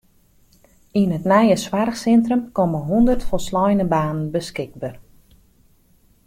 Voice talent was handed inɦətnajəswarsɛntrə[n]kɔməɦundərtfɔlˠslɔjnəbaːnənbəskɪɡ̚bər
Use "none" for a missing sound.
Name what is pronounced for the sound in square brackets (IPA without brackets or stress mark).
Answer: m